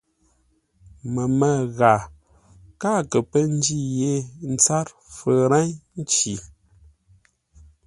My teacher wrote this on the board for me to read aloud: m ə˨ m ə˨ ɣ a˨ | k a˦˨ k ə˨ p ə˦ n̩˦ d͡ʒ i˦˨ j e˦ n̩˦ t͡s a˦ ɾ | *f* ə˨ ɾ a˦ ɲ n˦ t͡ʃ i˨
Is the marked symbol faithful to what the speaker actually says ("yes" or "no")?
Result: yes